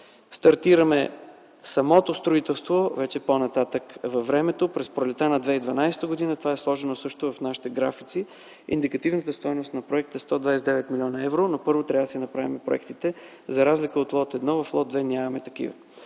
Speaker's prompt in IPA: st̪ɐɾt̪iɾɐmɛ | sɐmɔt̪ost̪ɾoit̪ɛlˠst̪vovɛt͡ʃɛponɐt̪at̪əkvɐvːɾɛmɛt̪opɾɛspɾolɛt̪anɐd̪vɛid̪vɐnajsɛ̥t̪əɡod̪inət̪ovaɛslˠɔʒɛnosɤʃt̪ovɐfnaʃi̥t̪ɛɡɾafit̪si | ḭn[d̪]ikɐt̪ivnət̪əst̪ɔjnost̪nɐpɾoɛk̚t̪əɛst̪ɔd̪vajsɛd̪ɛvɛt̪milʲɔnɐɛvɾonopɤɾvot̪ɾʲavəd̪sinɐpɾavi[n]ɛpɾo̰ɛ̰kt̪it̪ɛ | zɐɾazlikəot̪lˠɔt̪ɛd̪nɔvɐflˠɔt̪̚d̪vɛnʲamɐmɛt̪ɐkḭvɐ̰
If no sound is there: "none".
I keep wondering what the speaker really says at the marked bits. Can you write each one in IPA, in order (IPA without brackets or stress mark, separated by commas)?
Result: d̪, m